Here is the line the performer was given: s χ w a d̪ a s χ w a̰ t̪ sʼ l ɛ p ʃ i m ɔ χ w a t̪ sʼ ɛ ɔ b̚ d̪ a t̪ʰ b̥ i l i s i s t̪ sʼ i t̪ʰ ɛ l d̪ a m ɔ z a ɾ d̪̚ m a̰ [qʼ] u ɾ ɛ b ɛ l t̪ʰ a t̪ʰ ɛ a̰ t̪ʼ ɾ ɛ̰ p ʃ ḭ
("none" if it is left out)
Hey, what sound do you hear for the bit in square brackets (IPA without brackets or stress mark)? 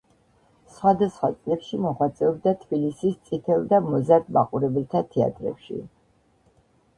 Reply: qʼ